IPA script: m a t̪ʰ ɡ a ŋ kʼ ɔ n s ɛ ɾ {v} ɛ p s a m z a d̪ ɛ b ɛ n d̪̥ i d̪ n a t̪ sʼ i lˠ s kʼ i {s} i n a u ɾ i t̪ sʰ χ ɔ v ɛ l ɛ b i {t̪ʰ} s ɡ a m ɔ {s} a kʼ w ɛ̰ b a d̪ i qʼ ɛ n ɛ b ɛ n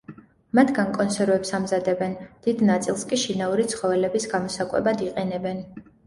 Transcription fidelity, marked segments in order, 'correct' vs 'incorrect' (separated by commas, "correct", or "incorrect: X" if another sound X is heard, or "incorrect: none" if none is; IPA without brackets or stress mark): correct, incorrect: ʃ, incorrect: none, correct